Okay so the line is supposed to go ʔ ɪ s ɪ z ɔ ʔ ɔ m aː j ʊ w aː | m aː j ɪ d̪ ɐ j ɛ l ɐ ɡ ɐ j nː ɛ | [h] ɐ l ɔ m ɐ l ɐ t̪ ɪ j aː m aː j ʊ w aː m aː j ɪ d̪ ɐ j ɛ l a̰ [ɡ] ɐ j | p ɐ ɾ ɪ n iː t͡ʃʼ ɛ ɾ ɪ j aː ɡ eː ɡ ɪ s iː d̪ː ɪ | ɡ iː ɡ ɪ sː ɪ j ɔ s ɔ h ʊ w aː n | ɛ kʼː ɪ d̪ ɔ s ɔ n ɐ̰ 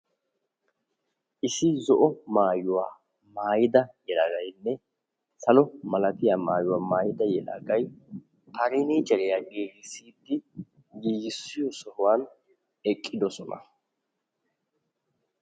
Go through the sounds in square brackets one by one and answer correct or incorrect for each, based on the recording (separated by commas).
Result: incorrect, correct